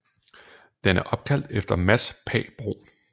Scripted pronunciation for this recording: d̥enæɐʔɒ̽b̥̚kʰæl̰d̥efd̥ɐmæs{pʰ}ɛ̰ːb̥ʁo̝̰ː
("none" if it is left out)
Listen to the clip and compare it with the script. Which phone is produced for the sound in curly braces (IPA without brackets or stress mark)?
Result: pʰ